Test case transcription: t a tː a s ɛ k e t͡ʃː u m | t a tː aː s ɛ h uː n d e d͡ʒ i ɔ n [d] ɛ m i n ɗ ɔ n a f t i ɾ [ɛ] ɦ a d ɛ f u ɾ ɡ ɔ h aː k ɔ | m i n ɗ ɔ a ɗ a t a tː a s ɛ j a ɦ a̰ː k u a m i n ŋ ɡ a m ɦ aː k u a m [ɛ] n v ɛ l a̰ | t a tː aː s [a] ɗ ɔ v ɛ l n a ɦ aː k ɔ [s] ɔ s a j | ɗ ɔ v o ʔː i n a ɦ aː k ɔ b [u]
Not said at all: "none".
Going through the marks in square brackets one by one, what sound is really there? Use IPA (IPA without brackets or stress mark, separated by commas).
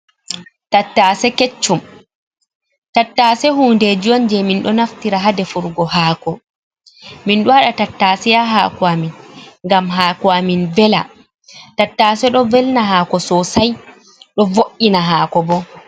d͡ʒ, a, i, ɛ, s, ɔ